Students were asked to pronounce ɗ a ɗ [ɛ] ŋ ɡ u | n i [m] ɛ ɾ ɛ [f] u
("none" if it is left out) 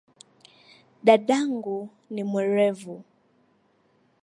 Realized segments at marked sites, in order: a, m, v

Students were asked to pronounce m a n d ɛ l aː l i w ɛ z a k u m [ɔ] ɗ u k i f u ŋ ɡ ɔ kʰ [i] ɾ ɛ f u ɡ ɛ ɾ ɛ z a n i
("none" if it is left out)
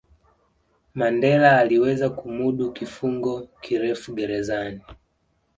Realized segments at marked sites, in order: u, i

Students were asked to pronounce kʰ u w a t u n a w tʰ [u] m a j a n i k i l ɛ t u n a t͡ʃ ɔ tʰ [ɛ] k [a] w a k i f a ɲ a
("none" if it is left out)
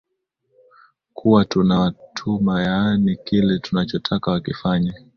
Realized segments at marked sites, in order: u, a, a

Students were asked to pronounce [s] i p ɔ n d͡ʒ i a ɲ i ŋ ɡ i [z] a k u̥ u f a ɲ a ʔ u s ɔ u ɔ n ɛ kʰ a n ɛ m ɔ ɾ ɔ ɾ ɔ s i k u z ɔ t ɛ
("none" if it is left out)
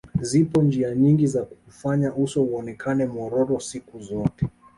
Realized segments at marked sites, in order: z, z

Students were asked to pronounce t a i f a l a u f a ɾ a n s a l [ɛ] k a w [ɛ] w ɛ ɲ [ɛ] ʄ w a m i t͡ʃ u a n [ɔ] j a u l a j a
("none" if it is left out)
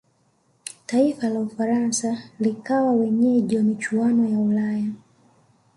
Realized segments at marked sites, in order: i, a, ɛ, ɔ

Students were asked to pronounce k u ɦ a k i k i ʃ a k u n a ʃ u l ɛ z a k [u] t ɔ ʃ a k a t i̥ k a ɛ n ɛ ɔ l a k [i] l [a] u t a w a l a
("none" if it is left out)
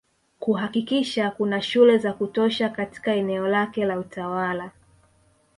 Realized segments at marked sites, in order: u, ɛ, a

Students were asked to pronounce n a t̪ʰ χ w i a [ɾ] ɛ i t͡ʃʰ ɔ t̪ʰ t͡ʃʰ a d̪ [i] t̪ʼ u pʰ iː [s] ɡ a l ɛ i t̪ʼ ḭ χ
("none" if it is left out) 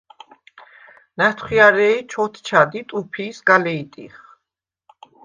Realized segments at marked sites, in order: ɾ, i, s

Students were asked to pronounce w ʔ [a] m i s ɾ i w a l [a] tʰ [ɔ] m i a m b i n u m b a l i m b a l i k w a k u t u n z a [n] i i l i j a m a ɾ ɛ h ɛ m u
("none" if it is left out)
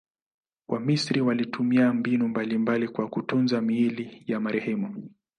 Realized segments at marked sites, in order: a, i, u, m

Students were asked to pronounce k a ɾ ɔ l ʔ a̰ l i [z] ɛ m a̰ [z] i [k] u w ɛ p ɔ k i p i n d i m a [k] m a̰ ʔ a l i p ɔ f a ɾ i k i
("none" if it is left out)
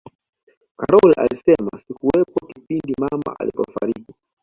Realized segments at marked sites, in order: s, s, k, none

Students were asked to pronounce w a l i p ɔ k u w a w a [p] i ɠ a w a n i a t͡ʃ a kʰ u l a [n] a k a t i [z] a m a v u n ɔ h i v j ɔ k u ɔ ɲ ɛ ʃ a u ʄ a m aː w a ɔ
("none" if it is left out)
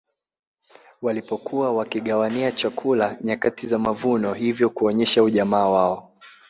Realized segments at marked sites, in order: k, ɲ, z

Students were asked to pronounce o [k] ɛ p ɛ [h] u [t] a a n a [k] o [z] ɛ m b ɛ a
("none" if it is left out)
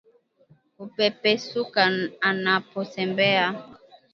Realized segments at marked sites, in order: p, s, k, p, s

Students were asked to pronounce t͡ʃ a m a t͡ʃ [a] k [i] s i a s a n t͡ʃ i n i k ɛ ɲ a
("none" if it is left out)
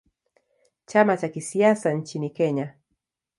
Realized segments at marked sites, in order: a, i

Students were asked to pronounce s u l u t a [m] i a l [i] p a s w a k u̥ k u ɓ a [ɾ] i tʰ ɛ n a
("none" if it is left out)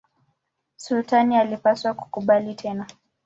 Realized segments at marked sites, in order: n, i, l

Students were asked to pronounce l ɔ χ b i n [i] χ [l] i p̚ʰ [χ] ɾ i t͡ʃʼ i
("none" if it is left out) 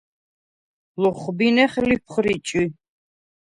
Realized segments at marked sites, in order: ɛ, l, χ

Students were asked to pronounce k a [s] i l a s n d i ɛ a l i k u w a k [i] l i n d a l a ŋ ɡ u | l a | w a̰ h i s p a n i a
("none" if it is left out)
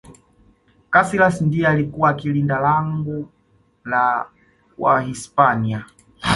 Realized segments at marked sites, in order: s, i

